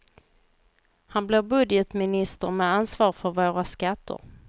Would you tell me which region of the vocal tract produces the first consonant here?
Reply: throat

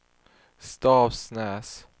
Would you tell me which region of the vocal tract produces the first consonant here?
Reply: tongue tip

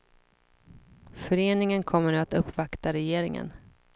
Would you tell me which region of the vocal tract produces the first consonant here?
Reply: lips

